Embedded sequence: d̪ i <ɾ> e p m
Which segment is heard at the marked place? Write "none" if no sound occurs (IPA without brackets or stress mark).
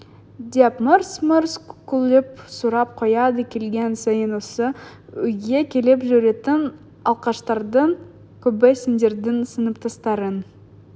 none